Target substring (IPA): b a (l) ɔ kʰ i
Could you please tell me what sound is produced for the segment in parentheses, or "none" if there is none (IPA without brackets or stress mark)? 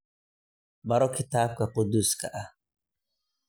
ɾ